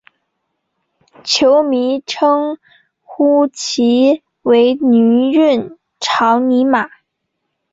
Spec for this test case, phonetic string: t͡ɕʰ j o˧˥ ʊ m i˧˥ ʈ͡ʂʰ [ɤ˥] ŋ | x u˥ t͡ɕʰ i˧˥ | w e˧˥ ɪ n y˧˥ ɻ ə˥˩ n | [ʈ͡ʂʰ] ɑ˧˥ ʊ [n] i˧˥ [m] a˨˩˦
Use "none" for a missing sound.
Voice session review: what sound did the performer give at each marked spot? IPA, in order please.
ɤ˥, ʈ͡ʂʰ, n, m

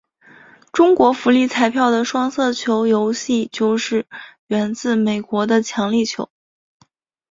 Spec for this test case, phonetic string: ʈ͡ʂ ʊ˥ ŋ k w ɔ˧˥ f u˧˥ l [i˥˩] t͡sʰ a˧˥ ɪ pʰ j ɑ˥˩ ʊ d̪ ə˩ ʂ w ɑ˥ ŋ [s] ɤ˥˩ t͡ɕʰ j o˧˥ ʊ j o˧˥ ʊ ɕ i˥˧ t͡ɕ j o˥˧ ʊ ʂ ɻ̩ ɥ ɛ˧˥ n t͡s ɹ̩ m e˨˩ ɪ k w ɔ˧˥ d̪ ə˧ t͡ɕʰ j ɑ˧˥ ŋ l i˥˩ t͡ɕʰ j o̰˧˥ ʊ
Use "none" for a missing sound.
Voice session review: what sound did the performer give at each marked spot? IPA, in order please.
i˥˩, s

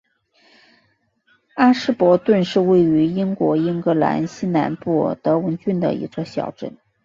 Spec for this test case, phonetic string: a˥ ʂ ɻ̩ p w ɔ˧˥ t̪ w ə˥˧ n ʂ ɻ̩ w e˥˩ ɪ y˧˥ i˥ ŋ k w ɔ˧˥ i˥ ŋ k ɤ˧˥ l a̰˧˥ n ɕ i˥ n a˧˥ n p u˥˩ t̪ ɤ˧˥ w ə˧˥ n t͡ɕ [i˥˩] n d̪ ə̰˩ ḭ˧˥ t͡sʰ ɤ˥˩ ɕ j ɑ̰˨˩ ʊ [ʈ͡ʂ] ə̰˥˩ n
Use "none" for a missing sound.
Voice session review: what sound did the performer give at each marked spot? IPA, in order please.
y˥˩, ʈ͡ʂ

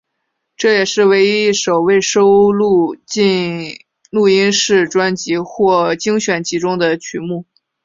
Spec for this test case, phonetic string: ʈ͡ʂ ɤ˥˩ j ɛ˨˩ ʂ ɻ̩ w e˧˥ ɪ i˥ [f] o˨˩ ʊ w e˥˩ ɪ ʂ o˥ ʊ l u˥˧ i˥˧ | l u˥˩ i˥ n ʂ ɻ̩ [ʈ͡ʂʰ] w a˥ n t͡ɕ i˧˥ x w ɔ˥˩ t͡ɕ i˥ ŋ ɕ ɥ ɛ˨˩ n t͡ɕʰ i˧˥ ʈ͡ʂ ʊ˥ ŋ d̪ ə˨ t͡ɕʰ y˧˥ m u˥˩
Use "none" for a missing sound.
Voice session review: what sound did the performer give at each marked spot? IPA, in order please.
ʂ, ʈ͡ʂ

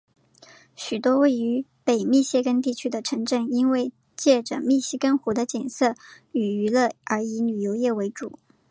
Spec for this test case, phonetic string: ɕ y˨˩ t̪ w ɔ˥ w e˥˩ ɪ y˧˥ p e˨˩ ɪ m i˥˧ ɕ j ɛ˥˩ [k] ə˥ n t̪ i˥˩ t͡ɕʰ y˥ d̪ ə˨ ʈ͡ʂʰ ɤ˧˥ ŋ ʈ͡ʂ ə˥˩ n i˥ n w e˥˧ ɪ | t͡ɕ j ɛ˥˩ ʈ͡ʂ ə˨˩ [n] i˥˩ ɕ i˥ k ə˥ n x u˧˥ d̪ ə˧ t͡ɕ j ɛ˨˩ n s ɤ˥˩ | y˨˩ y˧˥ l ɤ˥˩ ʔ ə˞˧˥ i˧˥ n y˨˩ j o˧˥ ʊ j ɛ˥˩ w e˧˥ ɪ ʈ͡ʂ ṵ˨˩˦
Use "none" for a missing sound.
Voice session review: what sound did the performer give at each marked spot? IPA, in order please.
k, m

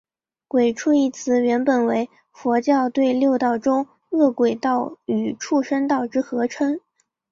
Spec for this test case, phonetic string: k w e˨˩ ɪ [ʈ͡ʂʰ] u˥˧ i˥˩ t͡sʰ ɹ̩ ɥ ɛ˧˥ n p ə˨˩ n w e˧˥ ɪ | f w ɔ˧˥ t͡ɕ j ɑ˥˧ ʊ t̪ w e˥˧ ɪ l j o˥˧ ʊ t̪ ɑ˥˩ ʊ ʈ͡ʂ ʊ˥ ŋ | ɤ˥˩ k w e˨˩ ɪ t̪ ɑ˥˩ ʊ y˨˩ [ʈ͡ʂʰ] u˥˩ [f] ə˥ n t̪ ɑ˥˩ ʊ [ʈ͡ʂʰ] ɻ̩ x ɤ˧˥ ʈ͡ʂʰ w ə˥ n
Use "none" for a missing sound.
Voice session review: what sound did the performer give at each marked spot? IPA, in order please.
ʈ͡ʂʰ, ʈ͡ʂʰ, ʂ, ʈ͡ʂ

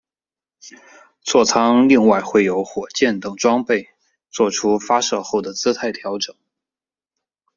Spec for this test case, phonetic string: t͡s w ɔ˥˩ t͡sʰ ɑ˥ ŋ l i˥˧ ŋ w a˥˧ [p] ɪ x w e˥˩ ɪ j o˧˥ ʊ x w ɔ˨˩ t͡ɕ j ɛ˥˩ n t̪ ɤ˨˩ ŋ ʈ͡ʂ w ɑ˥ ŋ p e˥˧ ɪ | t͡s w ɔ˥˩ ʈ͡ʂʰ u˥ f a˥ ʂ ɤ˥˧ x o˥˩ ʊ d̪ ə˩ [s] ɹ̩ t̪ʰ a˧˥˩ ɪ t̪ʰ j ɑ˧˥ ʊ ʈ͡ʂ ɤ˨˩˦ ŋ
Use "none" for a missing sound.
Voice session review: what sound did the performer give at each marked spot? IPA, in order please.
none, t͡s

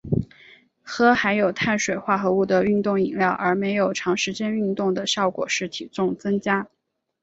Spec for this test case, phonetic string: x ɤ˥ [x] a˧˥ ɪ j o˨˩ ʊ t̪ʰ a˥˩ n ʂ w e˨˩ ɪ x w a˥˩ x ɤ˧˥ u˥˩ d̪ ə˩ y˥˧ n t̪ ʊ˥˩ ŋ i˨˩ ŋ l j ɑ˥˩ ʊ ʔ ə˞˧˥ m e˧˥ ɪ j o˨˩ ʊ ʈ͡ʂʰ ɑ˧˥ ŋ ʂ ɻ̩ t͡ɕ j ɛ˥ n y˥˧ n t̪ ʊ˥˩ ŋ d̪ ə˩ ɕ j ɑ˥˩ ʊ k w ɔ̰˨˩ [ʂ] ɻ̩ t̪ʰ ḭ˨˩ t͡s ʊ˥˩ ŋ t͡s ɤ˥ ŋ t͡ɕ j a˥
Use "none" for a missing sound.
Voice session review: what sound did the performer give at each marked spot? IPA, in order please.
x, ʂ

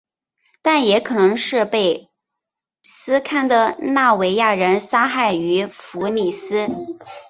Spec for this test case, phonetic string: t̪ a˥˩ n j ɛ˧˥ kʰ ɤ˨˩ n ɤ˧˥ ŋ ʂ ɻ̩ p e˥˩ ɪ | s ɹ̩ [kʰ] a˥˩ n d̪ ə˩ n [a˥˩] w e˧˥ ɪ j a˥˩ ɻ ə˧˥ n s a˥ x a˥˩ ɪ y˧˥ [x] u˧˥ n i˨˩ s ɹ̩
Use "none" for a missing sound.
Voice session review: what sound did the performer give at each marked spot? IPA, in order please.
kʰ, a˥˩, f

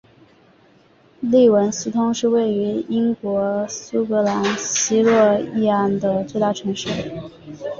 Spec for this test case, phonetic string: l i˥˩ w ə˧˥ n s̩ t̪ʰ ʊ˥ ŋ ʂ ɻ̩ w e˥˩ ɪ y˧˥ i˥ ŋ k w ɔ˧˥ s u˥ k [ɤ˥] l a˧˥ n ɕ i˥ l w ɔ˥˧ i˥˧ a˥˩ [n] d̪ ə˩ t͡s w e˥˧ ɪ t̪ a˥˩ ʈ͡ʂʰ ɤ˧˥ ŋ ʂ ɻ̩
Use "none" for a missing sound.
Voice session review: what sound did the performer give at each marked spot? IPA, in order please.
ɤ˧˥, n

